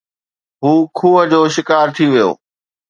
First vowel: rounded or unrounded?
rounded